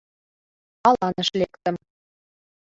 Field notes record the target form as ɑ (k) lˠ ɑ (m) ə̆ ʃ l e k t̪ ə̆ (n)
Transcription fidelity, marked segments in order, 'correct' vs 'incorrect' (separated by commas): incorrect, incorrect, incorrect